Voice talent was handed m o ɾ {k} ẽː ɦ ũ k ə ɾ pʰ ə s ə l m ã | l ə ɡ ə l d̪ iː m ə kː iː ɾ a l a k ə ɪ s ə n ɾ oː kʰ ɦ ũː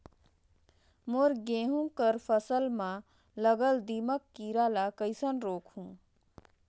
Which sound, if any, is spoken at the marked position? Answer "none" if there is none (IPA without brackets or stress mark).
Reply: ɡ